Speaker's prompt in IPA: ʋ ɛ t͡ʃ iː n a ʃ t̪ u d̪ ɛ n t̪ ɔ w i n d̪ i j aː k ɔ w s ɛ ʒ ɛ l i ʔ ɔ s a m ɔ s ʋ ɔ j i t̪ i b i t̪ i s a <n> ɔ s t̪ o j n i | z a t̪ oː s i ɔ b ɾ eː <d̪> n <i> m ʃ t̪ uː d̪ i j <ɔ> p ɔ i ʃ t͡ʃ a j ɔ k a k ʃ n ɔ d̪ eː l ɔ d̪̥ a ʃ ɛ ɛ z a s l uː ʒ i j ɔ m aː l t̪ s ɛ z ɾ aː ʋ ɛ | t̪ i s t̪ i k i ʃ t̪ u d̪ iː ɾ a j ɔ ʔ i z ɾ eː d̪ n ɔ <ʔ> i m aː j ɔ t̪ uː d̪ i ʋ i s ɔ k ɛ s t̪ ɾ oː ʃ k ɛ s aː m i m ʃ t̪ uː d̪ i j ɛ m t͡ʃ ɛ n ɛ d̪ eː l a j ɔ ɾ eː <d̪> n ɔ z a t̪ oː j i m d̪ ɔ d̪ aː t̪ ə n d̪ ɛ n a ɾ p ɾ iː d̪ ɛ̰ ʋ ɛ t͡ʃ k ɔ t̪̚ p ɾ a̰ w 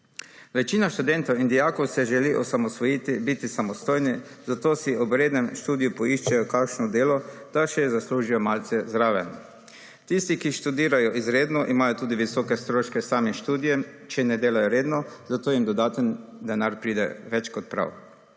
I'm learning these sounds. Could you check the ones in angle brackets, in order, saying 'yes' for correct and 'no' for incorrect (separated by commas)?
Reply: no, yes, no, no, yes, yes